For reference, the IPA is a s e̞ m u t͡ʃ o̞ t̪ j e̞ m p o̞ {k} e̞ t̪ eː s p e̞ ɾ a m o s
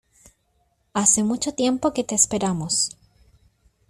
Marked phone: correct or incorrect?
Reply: correct